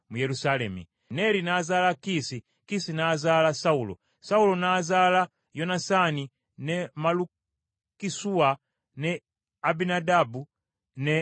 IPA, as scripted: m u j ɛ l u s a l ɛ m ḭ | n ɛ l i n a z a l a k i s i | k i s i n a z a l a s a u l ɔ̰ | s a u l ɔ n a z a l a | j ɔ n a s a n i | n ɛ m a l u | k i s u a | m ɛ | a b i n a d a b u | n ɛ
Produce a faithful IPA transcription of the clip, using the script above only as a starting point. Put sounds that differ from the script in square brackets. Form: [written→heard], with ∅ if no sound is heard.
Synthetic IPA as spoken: m u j ɛ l u s a l ɛ m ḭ | n ɛ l i n a z a l a k i s i | k i s i n a z a l a s a u l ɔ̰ | s a u l ɔ n a z a l a | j ɔ n a s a n i | n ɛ m a l u | k i s u a | [m→n] ɛ | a b i n a d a b u | n ɛ